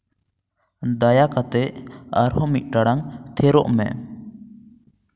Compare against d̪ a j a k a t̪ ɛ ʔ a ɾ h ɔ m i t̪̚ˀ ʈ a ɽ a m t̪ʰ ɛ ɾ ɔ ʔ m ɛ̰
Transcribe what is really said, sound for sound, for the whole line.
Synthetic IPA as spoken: d̪ a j a k a t̪ ɛ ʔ a ɾ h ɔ m i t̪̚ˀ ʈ a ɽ a ŋ t̪ʰ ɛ ɾ ɔ ʔ m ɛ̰